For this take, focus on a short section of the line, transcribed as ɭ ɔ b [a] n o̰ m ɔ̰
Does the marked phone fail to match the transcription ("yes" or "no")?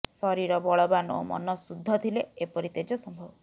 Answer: no